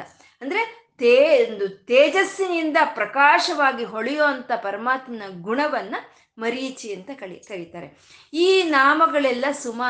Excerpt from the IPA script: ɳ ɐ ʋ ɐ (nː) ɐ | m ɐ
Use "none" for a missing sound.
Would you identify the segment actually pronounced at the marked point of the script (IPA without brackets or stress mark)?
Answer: nː